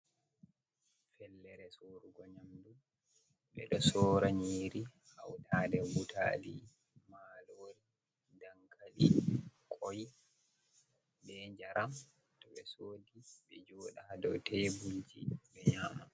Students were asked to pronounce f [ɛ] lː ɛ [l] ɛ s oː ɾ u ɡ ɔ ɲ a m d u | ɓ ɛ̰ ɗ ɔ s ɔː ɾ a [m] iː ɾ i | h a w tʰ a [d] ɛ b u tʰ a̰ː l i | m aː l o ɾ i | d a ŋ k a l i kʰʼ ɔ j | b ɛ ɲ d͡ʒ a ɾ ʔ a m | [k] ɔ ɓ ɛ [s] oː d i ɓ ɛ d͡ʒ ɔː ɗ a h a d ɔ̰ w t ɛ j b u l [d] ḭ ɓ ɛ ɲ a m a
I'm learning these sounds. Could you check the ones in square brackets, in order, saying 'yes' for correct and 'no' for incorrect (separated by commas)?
yes, no, no, yes, no, yes, no